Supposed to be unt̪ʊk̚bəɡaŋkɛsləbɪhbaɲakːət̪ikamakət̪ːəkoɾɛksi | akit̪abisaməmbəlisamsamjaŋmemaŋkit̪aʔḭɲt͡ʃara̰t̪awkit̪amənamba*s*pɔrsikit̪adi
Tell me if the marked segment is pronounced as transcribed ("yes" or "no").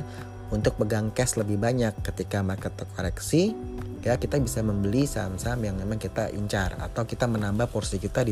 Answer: no